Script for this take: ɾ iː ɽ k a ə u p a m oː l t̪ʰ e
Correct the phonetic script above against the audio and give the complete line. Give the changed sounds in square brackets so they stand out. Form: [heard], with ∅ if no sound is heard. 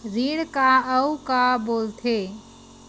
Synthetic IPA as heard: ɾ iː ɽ k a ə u [k] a [b] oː l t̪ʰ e